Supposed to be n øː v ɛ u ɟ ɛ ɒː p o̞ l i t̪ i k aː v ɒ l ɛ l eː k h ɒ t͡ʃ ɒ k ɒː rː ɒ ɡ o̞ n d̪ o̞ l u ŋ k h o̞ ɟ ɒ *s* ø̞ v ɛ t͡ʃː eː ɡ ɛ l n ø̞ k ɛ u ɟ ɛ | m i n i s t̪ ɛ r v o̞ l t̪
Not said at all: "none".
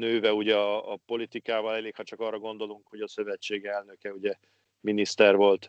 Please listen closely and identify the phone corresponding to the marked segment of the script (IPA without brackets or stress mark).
s